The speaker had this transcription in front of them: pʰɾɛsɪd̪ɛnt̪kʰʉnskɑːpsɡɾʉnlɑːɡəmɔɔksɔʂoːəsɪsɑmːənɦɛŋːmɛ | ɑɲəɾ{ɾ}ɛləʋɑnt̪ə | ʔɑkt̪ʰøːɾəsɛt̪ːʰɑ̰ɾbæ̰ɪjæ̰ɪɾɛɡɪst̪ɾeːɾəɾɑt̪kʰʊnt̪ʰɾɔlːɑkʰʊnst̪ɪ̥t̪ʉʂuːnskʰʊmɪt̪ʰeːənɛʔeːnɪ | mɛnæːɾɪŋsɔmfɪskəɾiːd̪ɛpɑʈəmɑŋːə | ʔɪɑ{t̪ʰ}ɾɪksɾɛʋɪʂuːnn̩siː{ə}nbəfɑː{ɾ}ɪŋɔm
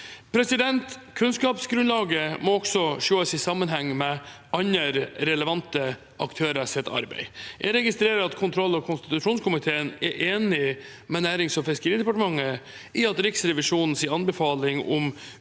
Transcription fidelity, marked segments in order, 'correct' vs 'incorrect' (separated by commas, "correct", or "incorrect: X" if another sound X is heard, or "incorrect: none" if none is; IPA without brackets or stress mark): correct, incorrect: t̪, incorrect: ɑ, incorrect: l